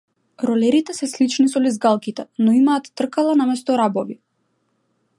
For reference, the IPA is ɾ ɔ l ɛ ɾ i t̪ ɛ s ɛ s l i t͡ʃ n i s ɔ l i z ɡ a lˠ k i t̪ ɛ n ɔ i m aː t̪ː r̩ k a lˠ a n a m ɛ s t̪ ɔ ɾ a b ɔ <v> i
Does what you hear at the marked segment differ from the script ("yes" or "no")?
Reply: no